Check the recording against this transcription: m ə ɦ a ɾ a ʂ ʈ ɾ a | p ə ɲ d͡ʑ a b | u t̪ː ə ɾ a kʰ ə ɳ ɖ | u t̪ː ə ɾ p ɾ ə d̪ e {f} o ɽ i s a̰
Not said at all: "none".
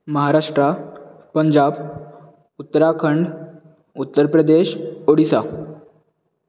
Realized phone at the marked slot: ɕ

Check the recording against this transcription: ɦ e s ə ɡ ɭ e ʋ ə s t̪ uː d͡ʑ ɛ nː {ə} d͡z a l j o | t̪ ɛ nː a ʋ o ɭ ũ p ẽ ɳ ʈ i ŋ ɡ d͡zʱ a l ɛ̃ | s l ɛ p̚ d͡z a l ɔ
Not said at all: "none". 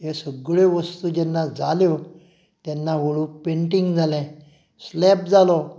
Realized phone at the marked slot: a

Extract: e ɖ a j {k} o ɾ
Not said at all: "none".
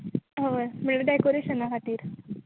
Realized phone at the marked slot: k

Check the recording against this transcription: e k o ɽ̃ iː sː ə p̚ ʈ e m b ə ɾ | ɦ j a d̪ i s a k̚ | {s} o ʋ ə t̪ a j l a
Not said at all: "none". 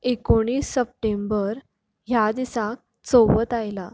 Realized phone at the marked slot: t͡s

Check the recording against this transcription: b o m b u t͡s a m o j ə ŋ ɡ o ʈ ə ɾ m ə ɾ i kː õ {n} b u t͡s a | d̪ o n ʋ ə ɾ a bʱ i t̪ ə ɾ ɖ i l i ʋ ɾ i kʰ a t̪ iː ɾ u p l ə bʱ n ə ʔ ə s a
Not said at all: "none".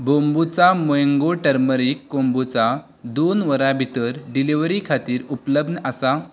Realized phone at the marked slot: m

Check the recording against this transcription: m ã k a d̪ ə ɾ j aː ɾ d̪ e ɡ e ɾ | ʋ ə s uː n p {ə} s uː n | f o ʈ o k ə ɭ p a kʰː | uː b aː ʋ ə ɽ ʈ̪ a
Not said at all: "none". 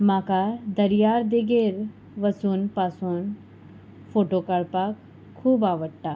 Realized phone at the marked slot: a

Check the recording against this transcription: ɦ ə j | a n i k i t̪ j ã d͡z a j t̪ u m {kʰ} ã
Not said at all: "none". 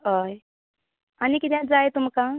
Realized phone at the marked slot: k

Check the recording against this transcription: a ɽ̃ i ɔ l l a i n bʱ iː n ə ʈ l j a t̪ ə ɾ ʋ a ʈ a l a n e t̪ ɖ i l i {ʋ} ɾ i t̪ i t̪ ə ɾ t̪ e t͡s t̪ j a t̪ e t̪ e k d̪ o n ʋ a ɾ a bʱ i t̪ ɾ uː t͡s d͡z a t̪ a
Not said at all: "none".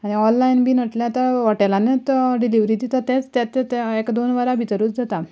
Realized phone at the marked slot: ʋ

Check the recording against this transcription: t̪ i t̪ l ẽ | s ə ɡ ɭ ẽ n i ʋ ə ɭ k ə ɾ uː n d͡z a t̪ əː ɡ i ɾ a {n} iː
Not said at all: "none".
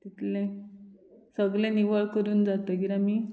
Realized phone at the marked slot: m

